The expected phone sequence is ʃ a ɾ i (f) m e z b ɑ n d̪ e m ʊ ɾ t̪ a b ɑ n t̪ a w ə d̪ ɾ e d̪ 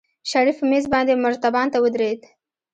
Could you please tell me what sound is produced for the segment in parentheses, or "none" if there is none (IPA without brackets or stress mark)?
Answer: f